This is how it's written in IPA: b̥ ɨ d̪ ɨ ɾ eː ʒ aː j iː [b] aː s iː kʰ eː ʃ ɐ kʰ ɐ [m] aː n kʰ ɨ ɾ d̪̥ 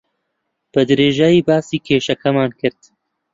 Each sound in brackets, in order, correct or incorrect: correct, correct

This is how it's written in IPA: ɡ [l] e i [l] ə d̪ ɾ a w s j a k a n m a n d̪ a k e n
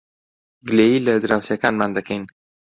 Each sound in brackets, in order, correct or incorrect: correct, correct

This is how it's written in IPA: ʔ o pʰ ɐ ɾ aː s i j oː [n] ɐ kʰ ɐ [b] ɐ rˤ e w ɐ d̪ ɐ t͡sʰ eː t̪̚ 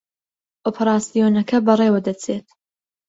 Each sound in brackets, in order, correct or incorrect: correct, correct

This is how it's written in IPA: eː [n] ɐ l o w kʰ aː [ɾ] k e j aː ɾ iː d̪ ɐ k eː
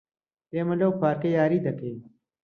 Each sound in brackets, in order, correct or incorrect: incorrect: m, correct

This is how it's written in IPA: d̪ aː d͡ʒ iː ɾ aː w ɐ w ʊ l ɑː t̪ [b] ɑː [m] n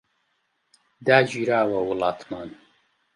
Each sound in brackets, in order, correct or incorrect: incorrect: m, incorrect: none

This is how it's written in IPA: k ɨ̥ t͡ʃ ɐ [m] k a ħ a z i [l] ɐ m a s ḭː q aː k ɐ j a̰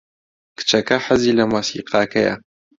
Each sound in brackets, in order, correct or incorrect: incorrect: none, correct

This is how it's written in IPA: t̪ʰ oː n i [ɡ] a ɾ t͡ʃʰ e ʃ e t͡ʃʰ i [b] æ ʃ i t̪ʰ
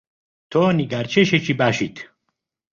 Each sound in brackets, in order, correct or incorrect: correct, correct

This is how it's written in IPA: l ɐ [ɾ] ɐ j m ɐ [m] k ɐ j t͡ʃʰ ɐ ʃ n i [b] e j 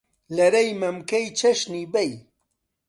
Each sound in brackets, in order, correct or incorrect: correct, correct, correct

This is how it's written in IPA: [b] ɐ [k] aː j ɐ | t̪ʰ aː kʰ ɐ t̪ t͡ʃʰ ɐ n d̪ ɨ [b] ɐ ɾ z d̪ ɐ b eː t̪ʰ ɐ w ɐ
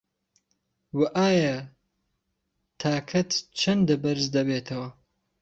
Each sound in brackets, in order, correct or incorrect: incorrect: w, incorrect: ʔ, correct

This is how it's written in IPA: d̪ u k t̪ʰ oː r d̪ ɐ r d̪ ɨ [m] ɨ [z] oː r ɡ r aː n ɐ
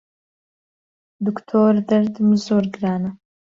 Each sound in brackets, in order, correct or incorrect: correct, correct

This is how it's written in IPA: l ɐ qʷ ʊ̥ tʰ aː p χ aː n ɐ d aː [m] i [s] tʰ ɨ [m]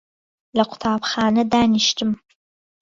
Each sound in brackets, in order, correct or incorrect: incorrect: n, incorrect: ʃ, correct

